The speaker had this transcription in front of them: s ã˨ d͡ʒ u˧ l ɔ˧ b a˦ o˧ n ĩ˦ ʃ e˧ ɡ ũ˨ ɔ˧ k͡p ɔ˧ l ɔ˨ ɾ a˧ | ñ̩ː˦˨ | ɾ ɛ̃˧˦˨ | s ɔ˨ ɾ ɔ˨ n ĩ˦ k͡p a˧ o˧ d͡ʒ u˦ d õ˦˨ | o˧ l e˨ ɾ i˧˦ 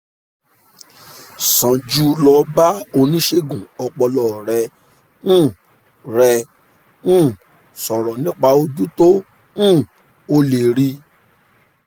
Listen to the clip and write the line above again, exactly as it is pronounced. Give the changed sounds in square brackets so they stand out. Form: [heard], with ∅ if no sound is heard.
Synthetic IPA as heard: s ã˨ d͡ʒ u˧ l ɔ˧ b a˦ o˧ n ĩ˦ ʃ e˧ ɡ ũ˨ ɔ˧ k͡p ɔ˧ l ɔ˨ ɾ [ɛ˧] | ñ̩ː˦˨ | ɾ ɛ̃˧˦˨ | s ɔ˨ ɾ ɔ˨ n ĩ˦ k͡p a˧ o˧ d͡ʒ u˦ [t] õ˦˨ | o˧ l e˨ ɾ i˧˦